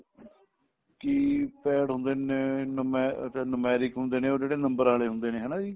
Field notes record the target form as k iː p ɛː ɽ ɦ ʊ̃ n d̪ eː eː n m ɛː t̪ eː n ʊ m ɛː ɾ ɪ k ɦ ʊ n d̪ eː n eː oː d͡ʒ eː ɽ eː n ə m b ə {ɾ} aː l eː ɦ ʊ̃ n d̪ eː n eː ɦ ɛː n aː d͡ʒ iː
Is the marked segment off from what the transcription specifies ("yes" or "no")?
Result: no